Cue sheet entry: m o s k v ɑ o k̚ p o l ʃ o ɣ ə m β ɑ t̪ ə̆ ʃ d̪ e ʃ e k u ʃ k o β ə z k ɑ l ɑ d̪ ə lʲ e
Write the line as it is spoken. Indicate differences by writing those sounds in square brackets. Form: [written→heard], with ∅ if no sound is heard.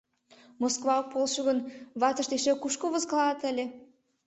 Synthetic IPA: m o s k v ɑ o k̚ p o l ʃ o ɣ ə [m→n] β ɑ t̪ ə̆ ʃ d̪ e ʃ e k u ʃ k o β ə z k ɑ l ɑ [d̪→t̪] ə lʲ e